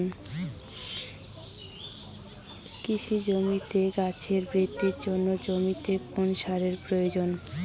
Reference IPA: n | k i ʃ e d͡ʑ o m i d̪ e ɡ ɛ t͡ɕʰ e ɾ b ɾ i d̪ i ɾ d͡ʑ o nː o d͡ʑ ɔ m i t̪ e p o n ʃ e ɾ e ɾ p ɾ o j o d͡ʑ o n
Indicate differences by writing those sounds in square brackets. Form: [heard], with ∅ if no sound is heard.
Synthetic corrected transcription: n | k i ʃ [i] d͡ʑ o m i [t̪] e ɡ [a] t͡ɕʰ e ɾ b ɾ i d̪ i ɾ d͡ʑ o nː o d͡ʑ [o] m i t̪ e p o n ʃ [a] ɾ e ɾ p ɾ o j o d͡ʑ o n